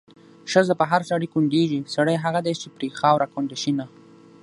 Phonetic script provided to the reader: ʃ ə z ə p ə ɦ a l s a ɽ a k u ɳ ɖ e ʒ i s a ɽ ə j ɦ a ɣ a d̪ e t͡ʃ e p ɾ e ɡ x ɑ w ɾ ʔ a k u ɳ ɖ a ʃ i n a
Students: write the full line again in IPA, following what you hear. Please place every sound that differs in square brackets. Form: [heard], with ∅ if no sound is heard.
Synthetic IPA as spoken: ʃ ə z ə p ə ɦ a [ɾ] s a ɽ [i] k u ɳ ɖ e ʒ i s a ɽ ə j ɦ a ɣ a d̪ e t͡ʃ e p ɾ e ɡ x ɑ w ɾ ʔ a k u ɳ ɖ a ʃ i n a